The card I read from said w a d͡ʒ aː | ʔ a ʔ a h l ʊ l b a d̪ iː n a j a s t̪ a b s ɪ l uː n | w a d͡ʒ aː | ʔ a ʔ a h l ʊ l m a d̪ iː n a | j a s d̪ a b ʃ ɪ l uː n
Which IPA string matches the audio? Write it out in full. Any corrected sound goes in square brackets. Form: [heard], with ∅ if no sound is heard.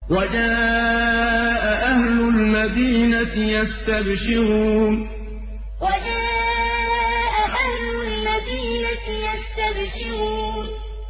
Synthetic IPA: w a d͡ʒ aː | ʔ a ʔ a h l ʊ l [m] a d̪ iː n a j a s t̪ a b [ʃ] ɪ [ɾ] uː n | w a d͡ʒ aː | ʔ a ʔ a h l ʊ l m a d̪ iː n a | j a s [t̪] a b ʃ ɪ [ɾ] uː n

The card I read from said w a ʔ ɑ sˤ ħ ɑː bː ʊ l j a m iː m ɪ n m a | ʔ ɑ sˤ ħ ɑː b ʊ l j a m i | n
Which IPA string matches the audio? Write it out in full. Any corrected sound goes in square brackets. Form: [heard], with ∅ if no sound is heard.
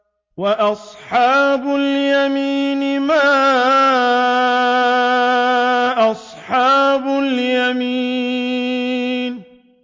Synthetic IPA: w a ʔ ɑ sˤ ħ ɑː [b] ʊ l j a m iː [n] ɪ [∅] m a | ʔ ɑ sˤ ħ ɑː b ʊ l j a m i | n

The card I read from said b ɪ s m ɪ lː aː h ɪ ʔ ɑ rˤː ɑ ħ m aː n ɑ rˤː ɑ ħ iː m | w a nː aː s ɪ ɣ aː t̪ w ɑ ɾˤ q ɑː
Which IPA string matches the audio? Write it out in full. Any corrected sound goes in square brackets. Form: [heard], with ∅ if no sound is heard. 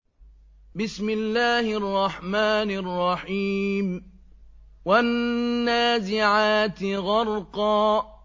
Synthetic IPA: b ɪ s m ɪ lː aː h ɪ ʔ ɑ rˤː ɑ ħ m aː n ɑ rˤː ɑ ħ iː m | w a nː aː [z] ɪ [ʕ] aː t̪ [ɣ] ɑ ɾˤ q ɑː

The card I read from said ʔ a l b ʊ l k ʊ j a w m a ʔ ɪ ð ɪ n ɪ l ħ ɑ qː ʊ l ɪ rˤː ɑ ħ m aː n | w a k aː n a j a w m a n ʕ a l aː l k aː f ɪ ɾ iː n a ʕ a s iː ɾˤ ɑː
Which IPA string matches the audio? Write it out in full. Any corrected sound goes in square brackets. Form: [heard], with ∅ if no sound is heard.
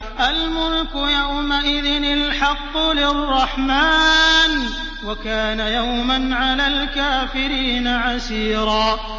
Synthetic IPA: ʔ a l [m] ʊ l k ʊ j a w m a ʔ ɪ ð ɪ n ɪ l ħ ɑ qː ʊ l ɪ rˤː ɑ ħ m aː n | w a k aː n a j a w m a n ʕ a l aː l k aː f ɪ ɾ iː n a ʕ a s iː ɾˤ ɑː

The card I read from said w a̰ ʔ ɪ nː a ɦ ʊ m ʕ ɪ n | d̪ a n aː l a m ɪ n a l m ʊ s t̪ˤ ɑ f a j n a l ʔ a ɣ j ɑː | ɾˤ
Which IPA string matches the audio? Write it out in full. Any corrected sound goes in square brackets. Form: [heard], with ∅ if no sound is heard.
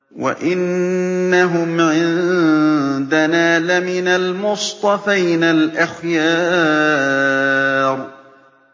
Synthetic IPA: w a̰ ʔ ɪ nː a ɦ ʊ m ʕ ɪ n | d̪ a n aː l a m ɪ n a l m ʊ s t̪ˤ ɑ f a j n a l ʔ a [x] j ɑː | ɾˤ

